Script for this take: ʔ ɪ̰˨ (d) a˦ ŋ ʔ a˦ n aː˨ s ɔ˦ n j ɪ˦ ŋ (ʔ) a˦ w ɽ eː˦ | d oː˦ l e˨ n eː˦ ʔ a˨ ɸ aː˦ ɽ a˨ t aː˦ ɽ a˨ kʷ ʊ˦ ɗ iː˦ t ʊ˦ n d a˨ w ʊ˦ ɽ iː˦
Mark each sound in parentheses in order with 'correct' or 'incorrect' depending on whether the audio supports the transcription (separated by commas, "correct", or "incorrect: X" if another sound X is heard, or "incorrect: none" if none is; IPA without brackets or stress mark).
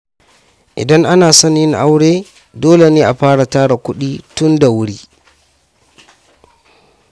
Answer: correct, correct